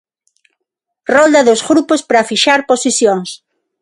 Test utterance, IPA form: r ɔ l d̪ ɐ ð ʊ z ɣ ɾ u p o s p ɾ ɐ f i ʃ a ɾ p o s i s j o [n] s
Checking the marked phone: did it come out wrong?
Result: yes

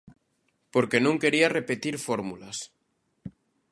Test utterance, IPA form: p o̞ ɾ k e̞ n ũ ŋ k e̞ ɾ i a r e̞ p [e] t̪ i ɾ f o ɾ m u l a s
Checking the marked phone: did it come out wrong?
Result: no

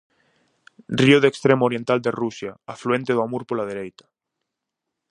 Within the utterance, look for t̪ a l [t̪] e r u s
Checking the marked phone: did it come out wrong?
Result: yes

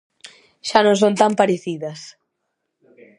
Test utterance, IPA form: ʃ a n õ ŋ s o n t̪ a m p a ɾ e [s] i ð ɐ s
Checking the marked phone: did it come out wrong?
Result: yes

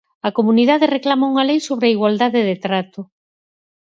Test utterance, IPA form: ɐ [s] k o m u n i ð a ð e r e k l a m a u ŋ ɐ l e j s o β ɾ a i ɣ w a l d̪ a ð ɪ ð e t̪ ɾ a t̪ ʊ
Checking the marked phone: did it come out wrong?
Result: yes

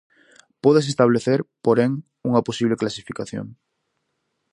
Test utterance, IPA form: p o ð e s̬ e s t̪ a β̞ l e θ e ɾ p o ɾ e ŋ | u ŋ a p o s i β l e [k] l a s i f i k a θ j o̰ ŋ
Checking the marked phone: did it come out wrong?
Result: no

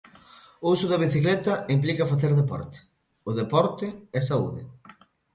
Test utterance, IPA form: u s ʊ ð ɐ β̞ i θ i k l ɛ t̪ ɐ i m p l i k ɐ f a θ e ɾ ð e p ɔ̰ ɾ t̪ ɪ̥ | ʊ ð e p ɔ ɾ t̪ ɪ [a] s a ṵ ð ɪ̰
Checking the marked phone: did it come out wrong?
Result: yes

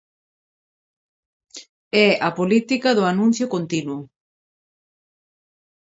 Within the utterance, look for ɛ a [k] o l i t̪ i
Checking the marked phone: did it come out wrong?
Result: yes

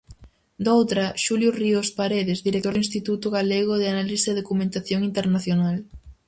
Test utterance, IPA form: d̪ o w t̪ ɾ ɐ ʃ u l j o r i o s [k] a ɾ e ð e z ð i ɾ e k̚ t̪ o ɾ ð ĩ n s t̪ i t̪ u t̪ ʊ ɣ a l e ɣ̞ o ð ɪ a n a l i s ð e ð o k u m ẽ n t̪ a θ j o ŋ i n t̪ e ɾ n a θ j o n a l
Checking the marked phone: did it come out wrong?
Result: yes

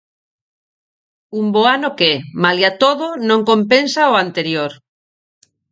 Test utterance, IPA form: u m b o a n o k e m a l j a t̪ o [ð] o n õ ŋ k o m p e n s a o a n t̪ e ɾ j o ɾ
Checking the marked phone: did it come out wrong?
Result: no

